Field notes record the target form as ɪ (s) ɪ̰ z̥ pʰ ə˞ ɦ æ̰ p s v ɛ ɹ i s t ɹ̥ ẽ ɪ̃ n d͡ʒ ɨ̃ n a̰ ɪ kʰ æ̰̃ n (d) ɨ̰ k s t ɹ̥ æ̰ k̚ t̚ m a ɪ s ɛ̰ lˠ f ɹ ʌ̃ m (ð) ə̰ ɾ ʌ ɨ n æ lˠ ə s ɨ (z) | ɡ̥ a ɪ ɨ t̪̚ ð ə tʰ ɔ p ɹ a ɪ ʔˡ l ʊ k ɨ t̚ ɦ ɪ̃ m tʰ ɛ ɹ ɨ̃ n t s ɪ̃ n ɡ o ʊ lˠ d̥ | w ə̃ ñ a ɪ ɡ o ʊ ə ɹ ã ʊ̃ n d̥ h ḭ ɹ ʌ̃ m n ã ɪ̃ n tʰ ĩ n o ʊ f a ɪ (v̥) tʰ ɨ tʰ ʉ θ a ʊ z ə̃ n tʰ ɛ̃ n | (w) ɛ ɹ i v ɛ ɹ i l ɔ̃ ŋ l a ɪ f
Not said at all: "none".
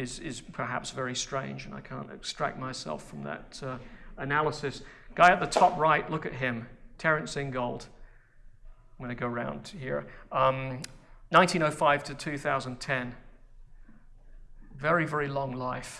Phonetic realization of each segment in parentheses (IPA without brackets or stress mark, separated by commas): z, t, ð, s, v̥, v